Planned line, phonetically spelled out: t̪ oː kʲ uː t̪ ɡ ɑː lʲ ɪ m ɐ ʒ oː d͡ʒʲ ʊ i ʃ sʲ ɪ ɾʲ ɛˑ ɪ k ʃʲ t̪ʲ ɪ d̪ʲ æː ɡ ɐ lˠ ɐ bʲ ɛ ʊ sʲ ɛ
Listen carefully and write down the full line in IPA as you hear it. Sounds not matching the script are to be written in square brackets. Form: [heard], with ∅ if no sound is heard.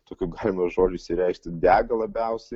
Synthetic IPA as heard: t̪ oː kʲ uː [∅] ɡ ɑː lʲ ɪ m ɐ ʒ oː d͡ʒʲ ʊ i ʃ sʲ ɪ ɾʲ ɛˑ ɪ k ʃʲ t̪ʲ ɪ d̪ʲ æː ɡ ɐ lˠ ɐ bʲ ɛ ʊ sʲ ɛ